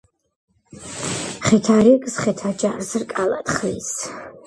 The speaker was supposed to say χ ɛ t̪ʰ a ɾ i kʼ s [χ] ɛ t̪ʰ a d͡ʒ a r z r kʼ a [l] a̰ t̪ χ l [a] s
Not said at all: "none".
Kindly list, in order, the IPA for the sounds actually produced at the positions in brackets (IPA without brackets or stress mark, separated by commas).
χ, l, i